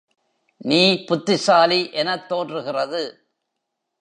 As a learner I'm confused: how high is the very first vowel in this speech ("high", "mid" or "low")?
high